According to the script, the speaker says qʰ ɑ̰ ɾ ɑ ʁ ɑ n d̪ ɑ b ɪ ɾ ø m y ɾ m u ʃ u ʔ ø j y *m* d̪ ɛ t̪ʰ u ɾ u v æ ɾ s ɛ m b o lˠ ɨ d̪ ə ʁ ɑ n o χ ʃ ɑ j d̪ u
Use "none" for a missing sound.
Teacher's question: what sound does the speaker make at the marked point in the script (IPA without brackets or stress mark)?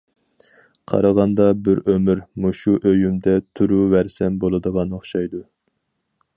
m